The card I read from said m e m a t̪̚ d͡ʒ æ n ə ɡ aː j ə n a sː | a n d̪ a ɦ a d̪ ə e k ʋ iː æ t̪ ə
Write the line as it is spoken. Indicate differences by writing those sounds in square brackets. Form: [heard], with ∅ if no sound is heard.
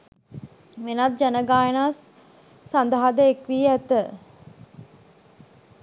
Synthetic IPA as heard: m e [n] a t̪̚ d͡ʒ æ n ə ɡ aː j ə n a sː | a n d̪ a ɦ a d̪ ə e k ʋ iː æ t̪ ə